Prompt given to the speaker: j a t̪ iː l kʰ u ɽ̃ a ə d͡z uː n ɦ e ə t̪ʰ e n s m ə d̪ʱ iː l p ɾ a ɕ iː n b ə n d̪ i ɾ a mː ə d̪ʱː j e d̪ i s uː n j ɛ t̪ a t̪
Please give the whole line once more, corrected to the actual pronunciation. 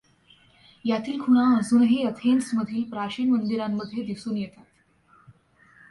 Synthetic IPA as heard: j a t̪ iː l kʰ u ɽ̃ a ə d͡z uː n ɦ e ə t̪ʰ e n s m ə d̪ʱ iː l p ɾ a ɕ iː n m ə n d̪ i ɾ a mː ə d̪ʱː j e d̪ i s uː n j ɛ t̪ a t̪